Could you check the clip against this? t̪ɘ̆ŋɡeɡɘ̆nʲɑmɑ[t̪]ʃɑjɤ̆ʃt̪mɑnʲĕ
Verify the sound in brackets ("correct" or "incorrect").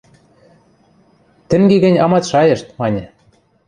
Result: correct